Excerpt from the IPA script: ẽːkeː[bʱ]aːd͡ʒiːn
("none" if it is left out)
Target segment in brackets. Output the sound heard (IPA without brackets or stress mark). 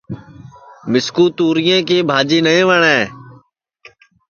bʱ